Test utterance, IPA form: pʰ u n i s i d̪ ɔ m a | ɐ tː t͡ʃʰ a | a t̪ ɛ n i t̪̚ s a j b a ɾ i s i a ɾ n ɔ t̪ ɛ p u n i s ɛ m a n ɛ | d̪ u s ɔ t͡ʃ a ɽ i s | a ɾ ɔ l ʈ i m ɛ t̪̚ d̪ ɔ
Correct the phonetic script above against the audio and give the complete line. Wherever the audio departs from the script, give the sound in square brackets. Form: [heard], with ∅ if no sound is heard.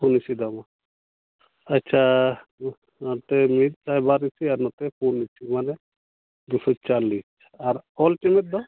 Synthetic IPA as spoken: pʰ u n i s i d̪ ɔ m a | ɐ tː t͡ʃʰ a | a t̪ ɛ [m] i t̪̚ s a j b a ɾ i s i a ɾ n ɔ t̪ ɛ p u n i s [i] m a n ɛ | d̪ u s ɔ t͡ʃ a [l] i s | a ɾ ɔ l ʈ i m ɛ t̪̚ d̪ ɔ

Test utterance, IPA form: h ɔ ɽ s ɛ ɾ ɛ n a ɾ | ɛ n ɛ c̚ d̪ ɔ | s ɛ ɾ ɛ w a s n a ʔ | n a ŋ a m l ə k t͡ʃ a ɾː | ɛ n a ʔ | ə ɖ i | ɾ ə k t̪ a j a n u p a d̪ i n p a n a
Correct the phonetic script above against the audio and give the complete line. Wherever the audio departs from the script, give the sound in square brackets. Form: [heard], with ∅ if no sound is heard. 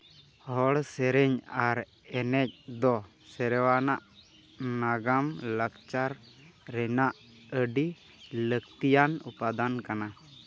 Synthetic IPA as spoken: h ɔ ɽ s ɛ ɾ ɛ [ɲ] a ɾ | ɛ n ɛ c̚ d̪ ɔ | s ɛ ɾ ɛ w a [∅] n a ʔ | n a [ɡ] a m l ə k t͡ʃ a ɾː | ɛ n a ʔ | ə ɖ i | [l] ə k t̪ [i] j a n u p a d̪ [a] n [k] a n a

